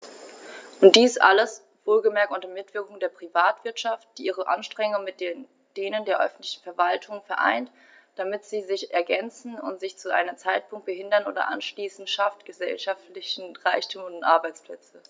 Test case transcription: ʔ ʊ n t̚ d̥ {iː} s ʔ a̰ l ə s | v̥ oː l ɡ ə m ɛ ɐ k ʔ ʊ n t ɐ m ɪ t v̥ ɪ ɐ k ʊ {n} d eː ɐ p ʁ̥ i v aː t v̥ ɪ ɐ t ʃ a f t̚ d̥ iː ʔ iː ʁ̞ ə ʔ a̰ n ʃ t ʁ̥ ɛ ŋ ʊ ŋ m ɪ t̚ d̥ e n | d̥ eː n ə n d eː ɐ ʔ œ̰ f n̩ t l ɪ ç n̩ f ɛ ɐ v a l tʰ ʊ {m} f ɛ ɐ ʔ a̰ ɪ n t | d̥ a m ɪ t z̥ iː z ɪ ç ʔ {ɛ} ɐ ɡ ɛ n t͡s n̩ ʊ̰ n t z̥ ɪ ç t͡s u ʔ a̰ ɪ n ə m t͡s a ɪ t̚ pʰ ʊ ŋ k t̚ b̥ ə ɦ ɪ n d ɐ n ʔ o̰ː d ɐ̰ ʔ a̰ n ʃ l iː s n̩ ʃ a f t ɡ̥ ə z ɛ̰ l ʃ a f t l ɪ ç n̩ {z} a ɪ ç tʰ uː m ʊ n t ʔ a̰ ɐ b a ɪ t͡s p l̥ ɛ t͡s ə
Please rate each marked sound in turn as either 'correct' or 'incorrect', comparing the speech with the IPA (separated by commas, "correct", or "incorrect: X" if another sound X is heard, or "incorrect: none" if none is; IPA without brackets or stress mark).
correct, incorrect: ŋ, incorrect: ŋ, correct, incorrect: ʁ